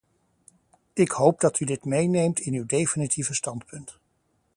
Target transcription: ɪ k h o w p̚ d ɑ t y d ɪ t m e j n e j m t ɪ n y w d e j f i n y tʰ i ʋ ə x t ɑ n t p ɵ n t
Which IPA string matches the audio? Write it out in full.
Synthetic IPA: ɪ k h o w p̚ d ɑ t y d ɪ t m e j n e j m t ɪ n y w d e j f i n i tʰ i v ə s t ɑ n t p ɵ n t